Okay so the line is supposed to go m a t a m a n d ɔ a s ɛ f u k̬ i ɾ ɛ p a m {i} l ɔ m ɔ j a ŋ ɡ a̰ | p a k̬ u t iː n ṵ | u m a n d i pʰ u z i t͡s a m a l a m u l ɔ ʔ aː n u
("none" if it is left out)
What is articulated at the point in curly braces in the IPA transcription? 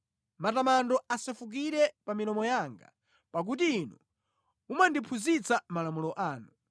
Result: i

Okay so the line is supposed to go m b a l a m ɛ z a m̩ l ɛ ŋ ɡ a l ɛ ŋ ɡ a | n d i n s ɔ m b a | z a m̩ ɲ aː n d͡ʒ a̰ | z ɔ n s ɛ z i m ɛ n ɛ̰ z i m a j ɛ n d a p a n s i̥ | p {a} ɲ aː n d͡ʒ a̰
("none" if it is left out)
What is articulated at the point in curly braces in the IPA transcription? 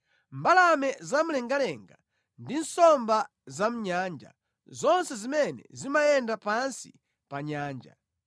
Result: a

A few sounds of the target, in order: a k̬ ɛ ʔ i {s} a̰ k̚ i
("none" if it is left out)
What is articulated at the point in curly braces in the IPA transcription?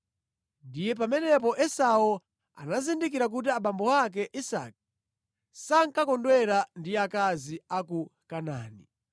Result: s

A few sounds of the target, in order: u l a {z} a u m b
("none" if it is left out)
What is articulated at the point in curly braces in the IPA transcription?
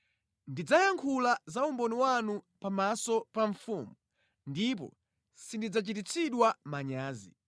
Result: z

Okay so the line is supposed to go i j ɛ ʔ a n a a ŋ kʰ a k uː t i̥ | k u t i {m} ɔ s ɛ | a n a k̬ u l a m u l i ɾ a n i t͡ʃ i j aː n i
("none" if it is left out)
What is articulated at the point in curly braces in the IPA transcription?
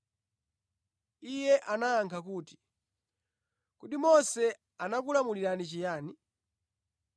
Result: m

